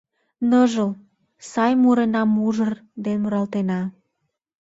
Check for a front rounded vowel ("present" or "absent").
absent